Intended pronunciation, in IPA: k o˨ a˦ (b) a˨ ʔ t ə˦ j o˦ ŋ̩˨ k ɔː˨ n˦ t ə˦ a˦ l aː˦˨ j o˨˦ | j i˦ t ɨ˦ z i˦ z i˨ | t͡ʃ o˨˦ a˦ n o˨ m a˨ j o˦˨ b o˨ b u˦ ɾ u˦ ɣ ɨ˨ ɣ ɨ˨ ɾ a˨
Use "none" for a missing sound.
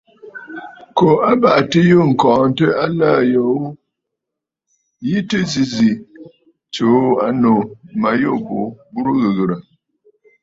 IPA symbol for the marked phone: b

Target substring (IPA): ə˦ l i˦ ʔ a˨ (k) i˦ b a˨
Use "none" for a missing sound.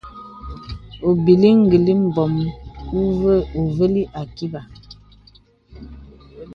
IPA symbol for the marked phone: k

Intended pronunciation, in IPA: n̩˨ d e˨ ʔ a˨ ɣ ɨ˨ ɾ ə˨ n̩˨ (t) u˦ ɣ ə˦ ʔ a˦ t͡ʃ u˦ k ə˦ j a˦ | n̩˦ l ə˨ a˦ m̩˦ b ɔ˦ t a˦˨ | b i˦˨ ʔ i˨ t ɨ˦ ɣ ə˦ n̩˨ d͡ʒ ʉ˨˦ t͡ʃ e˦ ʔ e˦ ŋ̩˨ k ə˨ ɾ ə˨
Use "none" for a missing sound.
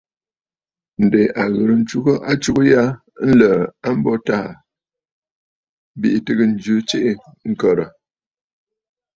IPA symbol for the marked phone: t͡ʃ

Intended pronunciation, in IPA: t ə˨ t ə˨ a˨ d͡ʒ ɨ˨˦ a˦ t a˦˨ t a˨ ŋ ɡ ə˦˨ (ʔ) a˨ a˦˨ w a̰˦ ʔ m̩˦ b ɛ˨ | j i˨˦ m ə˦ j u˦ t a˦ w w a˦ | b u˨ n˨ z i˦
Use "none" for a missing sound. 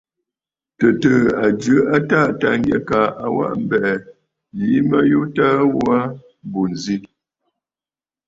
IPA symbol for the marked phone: k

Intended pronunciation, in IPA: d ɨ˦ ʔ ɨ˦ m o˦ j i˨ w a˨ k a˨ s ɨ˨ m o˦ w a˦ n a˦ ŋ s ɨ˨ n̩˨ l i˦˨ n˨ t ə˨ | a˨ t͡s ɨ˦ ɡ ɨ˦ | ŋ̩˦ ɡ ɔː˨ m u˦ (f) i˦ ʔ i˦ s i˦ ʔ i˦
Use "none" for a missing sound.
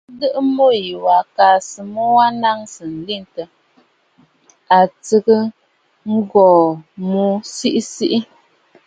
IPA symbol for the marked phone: s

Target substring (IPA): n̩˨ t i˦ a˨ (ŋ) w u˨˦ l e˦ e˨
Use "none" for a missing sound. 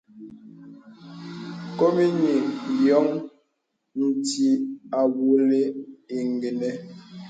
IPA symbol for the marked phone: none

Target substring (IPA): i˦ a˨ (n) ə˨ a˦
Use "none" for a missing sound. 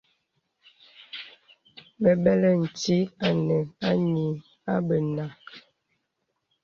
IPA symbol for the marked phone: n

